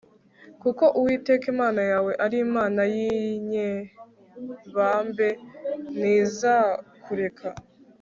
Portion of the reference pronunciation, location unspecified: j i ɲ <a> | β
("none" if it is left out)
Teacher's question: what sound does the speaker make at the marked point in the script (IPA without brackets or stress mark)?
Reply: e